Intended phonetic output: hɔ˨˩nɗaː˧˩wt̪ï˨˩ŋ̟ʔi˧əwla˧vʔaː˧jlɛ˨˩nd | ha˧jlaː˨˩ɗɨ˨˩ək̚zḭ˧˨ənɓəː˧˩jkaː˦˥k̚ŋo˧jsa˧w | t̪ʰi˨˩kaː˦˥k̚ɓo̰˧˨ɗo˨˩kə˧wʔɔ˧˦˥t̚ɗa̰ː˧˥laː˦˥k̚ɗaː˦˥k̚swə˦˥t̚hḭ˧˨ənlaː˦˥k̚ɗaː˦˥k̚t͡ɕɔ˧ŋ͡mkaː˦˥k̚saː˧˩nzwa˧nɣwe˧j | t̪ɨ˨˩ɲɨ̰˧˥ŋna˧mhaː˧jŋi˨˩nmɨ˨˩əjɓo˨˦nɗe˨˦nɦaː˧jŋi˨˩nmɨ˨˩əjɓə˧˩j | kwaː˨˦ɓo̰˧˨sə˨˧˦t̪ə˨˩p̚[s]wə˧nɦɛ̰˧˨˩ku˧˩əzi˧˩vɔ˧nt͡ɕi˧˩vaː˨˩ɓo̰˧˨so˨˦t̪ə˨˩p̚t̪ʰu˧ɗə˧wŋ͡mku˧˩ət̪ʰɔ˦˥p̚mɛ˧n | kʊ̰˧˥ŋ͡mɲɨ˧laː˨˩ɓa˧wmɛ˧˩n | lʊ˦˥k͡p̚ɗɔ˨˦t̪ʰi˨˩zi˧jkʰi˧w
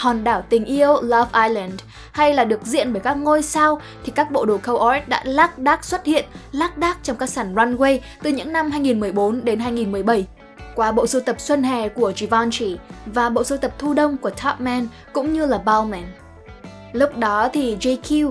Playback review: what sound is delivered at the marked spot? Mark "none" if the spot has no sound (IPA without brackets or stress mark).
s